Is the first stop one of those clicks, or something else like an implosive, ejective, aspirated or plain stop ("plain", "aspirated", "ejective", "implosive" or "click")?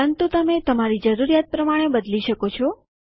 plain